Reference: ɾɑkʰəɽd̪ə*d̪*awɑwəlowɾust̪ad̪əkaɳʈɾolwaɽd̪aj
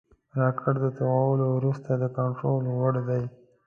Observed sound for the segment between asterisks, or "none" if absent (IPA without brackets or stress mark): t̪